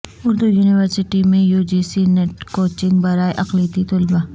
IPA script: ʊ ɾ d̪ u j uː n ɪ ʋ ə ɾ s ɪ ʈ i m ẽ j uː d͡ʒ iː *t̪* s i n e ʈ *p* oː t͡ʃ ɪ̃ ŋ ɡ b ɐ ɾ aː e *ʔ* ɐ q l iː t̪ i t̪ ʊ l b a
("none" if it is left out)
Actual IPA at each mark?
none, k, ʔ

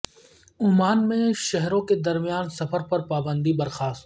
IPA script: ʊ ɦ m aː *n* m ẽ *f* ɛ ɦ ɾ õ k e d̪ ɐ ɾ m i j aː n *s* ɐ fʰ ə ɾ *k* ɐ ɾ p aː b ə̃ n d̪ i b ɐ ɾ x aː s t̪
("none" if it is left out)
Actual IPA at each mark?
n, ʃ, s, p

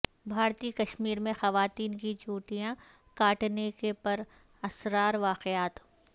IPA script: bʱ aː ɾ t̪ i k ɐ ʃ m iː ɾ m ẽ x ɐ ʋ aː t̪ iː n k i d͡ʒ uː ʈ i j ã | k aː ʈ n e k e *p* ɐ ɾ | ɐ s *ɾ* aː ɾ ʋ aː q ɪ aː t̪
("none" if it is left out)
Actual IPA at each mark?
p, ɾ

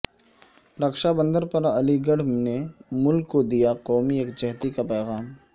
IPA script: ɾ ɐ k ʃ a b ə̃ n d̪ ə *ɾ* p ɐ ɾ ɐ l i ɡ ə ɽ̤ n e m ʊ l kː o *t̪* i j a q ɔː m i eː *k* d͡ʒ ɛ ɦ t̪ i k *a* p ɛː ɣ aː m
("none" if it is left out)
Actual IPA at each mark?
ɾ, d̪, k, a

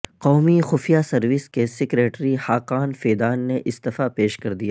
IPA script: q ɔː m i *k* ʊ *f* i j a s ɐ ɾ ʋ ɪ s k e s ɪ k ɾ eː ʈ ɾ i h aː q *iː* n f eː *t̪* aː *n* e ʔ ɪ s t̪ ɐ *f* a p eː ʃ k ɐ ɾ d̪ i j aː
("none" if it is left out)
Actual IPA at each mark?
x, f, aː, d̪, nː, f

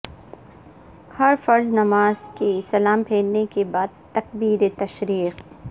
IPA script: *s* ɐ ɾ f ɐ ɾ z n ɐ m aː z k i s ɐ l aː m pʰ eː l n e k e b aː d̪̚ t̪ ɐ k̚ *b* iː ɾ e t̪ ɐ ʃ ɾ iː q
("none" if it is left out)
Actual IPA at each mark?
h, b

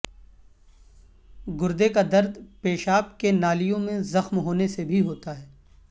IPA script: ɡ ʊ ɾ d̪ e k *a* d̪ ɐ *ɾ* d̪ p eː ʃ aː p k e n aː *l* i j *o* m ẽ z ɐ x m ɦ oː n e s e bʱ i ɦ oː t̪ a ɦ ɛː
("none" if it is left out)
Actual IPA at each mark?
a, ɾ, l, õ

